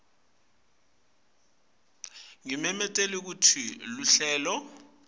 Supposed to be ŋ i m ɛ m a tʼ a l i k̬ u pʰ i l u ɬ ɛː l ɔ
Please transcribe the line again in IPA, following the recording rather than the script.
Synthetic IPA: ŋ i m ɛ m ɛ tʼ e l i k̬ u tʰ i l u ɬ ɛː l ɔ